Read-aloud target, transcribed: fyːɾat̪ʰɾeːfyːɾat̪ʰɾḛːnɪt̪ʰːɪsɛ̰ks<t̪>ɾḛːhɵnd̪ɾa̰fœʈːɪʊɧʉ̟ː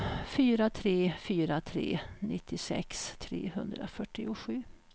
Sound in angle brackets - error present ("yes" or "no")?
yes